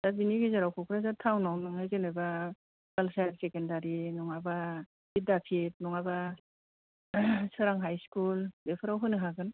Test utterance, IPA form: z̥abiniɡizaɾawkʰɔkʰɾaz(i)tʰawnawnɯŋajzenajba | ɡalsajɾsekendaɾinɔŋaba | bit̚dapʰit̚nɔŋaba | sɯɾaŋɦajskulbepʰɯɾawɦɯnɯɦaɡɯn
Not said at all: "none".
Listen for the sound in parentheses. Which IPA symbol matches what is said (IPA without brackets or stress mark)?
a